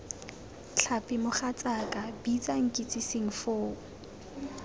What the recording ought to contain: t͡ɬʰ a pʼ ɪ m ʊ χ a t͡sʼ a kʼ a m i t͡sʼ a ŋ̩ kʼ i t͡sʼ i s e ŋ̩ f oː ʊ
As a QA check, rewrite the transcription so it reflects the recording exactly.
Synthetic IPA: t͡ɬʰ a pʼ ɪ m ʊ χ a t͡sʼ a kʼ a b i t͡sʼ a ŋ̩ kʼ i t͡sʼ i s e ŋ̩ f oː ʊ

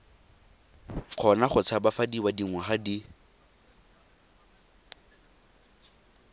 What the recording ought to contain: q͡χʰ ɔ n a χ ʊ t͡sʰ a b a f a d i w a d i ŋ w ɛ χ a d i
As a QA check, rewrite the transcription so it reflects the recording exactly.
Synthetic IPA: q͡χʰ ɔ n a χ ʊ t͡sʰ a b a f a d i w a d i ŋ w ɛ χ a d i

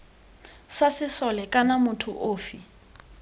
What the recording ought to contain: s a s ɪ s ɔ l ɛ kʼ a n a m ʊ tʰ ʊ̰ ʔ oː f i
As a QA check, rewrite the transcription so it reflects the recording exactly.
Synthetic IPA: s a s ɪ s ɔ l ɛ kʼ a n a m ʊ tʰ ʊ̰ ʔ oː f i

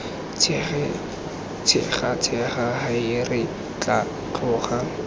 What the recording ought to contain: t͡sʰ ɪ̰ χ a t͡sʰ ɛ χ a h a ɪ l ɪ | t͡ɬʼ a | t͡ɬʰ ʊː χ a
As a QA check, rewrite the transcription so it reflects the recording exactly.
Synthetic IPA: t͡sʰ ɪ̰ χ a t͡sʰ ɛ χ a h a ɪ r ɪ | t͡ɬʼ a | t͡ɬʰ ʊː χ a

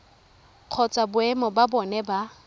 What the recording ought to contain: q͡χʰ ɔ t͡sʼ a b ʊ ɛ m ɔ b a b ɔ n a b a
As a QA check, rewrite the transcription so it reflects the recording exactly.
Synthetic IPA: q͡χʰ ɔ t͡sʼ a b ʊ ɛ m ɔ b a b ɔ n ɛ b a

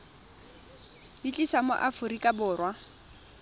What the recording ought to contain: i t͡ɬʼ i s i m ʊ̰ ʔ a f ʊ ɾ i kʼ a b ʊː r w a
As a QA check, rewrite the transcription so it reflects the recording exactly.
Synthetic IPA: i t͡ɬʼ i s a m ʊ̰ ʔ a f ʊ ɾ i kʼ a b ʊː r w a

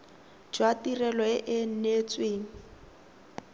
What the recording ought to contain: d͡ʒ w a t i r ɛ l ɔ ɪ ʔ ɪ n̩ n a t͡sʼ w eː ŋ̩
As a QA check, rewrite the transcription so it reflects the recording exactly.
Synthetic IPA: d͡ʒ w a t i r ɛ l ɔ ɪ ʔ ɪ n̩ n e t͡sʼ w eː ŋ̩

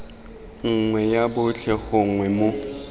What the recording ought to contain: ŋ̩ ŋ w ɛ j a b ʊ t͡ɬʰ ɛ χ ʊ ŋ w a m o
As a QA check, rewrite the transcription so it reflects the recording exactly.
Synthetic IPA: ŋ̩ ŋ w ɛ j a b ʊ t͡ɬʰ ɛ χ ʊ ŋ w ɛ m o

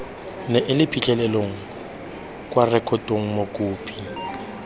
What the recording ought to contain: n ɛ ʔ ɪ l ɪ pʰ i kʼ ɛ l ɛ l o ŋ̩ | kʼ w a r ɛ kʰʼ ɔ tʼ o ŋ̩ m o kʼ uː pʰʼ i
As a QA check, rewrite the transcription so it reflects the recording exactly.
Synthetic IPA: n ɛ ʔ ɪ l ɪ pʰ i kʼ ɛ l ɛ l o ŋ̩ | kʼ w a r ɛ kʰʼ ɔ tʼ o ŋ̩ m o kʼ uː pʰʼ i

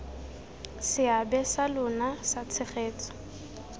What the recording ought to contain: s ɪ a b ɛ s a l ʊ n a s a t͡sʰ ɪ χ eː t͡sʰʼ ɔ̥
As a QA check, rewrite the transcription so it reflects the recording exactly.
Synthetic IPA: s ɪ a b ɛ s a l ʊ n a s a t͡sʰ ɪ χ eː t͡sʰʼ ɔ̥

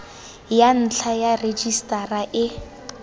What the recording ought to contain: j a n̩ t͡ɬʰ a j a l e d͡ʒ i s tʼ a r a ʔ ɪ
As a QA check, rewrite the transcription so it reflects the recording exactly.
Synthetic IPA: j a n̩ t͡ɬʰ a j a r e d͡ʒ i s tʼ a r a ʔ ɪ

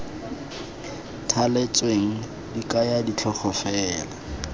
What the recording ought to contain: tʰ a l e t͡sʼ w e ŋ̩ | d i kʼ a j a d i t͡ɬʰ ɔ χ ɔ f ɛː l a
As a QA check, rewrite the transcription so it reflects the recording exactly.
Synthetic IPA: tʰ a l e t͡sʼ w e ŋ̩ | d i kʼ a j a d i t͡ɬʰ ɔ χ ɔ f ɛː l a

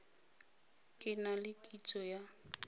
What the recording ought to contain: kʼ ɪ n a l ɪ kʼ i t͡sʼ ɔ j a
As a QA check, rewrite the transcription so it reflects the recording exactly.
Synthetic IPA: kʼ ɪ n a l ɪ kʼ i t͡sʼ ɔ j a

